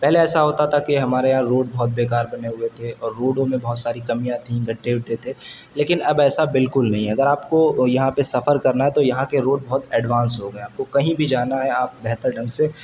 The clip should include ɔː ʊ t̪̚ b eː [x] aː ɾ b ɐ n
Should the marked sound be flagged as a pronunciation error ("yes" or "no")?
yes